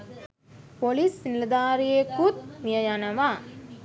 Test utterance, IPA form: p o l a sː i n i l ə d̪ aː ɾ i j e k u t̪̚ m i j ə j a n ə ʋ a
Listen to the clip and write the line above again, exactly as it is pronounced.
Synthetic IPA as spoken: p o l i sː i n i l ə d̪ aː ɾ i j e k u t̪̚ m i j ə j a n ə ʋ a